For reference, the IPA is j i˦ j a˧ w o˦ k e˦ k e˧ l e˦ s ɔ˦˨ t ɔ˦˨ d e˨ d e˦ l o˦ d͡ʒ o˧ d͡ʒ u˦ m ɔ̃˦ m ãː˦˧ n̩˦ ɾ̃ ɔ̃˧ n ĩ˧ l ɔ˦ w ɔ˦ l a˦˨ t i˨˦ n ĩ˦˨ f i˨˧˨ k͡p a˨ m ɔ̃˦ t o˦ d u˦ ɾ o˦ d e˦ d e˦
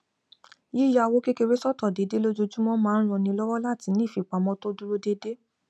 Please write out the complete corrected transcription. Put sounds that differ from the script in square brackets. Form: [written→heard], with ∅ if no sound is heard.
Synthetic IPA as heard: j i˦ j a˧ w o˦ k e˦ k e˧ [l→ɾ] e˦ s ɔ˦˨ t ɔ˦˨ d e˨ d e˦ l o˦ d͡ʒ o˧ d͡ʒ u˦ m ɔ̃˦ m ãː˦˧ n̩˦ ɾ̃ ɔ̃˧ n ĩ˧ l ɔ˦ w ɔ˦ l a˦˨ t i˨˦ n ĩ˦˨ f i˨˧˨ k͡p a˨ m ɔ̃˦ t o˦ d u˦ ɾ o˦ d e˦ d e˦